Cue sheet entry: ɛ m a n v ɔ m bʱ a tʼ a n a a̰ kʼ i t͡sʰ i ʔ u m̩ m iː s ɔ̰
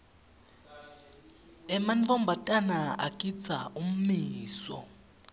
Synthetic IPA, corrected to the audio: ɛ m a n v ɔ m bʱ a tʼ a n a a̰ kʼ i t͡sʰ a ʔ u m̩ m iː s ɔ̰